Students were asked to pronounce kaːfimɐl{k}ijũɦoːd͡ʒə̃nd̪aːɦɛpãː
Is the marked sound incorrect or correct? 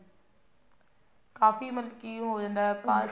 correct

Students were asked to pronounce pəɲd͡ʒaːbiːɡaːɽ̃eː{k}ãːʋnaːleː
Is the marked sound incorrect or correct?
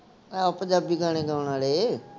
incorrect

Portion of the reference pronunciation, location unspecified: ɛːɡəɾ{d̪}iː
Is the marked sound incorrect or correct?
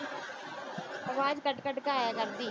correct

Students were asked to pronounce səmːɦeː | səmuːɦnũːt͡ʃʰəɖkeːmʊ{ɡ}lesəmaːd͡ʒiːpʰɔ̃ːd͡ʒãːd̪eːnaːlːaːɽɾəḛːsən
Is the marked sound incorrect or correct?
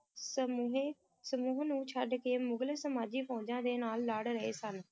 correct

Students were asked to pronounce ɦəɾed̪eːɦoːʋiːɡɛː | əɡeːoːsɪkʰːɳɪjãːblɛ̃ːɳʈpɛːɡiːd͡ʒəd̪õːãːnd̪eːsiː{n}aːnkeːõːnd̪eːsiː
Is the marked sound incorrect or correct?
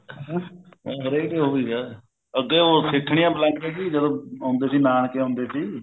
correct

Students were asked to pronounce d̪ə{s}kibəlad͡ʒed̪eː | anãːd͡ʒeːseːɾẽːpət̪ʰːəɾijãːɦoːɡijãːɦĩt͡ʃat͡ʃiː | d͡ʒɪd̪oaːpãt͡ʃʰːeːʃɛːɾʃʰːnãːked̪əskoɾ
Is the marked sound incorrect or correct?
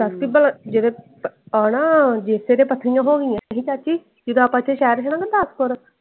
correct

